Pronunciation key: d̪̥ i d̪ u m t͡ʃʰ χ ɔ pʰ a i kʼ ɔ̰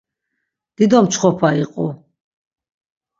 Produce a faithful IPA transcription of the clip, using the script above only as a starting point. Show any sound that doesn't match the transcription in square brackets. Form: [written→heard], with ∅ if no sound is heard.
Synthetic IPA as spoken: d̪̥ i d̪ [u→ɔ] m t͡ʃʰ χ ɔ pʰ a i [kʼ→qʼ] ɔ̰